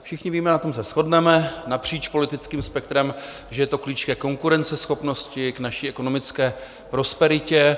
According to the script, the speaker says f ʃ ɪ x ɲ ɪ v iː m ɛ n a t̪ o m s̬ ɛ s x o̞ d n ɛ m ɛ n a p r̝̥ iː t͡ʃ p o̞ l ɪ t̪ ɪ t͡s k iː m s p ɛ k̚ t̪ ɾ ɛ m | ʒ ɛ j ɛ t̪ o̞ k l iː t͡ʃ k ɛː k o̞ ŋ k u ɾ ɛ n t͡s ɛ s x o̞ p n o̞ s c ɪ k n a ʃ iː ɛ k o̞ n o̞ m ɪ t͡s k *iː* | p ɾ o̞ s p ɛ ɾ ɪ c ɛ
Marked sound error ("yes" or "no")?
yes